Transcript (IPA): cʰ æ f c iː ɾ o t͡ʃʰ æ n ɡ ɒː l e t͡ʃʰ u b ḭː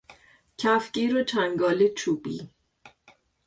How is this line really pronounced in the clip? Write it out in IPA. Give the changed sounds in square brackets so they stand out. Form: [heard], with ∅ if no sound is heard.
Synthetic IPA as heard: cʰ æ f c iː ɾ o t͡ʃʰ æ [ŋ] ɡ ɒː l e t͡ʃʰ u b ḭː